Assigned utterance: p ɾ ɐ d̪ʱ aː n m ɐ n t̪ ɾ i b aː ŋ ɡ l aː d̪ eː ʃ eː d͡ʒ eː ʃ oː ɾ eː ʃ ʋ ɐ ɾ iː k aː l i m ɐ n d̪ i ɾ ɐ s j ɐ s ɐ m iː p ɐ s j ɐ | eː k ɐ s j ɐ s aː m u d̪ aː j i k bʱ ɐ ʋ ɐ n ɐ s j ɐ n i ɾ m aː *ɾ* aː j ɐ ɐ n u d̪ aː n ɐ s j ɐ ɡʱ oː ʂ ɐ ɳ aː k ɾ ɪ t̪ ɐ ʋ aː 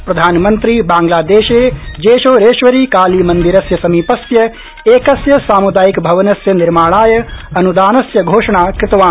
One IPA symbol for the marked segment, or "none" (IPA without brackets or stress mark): ɭ